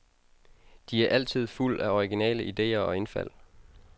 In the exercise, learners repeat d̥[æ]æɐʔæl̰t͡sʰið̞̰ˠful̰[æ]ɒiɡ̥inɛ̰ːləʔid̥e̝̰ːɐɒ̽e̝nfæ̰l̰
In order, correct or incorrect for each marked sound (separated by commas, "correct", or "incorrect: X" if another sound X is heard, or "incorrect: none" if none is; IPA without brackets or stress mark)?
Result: incorrect: i, correct